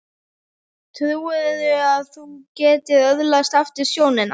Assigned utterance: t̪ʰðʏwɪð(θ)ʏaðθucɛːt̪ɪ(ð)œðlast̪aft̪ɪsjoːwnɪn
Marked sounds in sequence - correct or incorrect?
incorrect: ð, correct

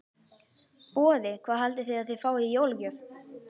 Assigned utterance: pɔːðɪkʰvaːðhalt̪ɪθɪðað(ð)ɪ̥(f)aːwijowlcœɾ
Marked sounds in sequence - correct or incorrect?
incorrect: θ, correct

